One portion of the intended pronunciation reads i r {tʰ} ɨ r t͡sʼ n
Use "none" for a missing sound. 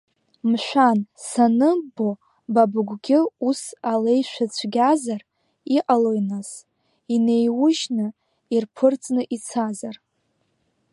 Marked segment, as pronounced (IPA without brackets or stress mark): pʰ